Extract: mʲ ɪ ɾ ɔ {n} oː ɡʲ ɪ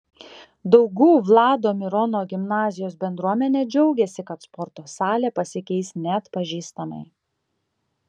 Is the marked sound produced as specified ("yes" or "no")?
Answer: yes